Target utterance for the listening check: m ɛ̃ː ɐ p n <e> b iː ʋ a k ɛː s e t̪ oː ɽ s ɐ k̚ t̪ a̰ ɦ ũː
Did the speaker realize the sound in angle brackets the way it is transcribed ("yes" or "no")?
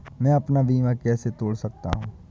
no